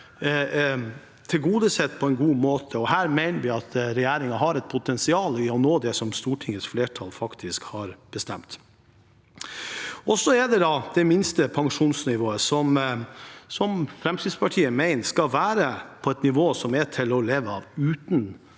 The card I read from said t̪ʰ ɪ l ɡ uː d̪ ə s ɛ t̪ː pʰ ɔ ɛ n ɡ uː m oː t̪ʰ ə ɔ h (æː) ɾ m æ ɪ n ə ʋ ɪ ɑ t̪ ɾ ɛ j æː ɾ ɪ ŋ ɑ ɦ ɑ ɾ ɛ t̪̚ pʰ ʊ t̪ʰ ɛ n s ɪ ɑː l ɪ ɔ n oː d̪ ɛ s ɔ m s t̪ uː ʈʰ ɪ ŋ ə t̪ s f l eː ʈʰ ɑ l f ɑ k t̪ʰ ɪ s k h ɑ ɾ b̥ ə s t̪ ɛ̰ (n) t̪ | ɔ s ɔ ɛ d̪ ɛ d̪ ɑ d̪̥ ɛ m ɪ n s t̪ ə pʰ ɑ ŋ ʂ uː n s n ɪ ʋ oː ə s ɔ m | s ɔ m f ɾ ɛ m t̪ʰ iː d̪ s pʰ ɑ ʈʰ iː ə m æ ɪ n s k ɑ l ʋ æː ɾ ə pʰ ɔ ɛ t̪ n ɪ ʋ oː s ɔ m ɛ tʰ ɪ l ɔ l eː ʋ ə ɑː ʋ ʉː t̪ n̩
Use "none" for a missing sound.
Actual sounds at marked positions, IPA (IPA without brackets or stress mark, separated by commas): æː, m